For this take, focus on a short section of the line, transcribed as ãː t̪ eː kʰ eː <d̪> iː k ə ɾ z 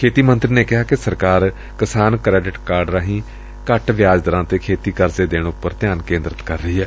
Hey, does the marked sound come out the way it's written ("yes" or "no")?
no